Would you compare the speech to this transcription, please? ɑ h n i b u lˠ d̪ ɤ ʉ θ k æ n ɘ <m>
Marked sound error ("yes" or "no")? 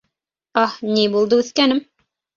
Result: no